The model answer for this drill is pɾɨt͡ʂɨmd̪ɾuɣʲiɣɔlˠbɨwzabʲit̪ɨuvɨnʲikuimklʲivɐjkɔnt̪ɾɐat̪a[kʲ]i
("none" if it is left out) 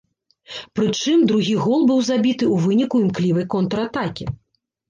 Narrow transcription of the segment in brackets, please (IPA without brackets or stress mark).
kʲ